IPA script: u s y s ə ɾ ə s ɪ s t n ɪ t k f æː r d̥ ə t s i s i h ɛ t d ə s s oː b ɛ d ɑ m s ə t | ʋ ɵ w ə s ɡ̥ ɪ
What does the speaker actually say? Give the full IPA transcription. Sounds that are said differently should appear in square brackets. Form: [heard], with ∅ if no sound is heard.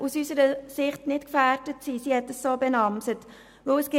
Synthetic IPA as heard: u s y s ə ɾ ə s ɪ [χ] t n ɪ t k f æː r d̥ ə t s i s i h ɛ t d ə s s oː b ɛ [n] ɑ m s ə t | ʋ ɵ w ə s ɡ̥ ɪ